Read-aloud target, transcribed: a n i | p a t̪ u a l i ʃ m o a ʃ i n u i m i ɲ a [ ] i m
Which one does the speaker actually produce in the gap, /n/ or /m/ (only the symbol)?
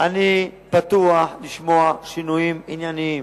n